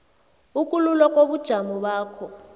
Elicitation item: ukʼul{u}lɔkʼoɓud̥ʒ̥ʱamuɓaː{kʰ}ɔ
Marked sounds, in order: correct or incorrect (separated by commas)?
correct, correct